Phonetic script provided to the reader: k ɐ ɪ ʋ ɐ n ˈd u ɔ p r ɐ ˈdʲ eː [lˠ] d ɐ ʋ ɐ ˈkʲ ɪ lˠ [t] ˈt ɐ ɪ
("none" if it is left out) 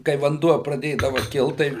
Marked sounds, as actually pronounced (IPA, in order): none, t

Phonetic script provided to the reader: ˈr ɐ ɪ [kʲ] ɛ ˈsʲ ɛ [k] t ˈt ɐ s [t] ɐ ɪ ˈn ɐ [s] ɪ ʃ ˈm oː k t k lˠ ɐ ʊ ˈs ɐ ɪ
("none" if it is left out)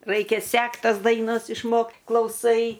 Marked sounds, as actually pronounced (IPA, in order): kʲ, k, d, s

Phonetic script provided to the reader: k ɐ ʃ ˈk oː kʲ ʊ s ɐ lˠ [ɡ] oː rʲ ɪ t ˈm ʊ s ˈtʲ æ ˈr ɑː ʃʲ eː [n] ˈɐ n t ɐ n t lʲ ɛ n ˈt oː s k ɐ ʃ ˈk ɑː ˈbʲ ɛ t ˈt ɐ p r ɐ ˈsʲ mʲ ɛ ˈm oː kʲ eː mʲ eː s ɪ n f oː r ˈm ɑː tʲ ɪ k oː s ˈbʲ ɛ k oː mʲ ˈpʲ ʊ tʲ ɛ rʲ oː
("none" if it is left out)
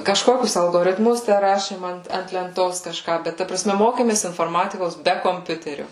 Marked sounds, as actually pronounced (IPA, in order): ɡ, m

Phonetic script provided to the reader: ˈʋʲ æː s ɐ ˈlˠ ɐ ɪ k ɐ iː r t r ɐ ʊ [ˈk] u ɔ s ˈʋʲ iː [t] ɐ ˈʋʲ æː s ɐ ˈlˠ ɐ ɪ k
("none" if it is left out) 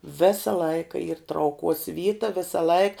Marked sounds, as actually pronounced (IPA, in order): k, t

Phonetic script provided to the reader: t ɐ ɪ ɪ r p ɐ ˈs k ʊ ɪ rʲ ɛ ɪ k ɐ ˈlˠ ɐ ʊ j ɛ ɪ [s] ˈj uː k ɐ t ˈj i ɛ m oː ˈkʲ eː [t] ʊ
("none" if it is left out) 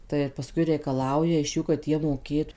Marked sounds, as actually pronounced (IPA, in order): ʃ, t

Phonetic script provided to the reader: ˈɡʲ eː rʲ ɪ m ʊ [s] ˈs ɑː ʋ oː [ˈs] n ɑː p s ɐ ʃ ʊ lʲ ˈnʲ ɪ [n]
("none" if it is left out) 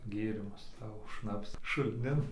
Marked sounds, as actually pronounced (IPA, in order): s, ʃ, n

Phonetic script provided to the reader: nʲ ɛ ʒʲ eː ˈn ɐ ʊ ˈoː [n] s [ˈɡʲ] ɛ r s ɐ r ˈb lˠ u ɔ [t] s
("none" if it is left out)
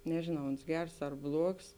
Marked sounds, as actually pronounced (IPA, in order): n, ɡʲ, k

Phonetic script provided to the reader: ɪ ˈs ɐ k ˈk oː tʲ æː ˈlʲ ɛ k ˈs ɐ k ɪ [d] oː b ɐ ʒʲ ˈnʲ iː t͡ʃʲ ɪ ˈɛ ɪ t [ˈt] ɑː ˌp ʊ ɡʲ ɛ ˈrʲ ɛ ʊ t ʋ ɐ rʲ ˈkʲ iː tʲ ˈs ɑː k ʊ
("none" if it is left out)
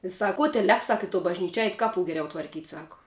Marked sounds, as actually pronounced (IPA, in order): t, k

